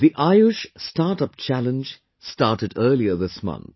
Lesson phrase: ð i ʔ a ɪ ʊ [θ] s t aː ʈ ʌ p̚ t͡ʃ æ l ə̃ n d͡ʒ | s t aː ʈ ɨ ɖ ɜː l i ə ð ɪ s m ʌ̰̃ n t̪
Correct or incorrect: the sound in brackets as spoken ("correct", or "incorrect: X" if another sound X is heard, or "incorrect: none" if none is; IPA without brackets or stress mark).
incorrect: ʃ